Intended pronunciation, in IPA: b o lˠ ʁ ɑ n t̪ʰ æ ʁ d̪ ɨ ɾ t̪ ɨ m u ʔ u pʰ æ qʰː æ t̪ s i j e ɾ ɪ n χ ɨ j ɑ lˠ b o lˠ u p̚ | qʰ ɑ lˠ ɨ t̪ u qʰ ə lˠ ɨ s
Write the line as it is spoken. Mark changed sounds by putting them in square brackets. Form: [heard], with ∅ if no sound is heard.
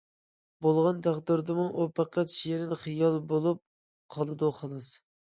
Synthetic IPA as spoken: b o lˠ ʁ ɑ n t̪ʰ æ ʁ d̪ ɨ ɾ [d̪] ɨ m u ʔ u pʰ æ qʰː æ t̪ [ʃ] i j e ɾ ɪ n χ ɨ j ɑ lˠ b o lˠ u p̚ | qʰ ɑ lˠ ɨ [d̪] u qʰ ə lˠ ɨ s